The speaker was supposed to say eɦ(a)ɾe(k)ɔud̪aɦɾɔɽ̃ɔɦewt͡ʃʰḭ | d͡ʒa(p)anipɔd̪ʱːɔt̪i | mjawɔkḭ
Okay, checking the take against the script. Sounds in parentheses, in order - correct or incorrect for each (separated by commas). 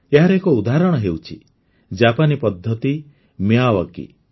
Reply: correct, correct, correct